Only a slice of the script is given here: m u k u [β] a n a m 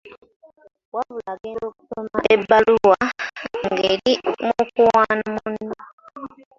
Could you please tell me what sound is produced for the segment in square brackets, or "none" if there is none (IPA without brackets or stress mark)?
w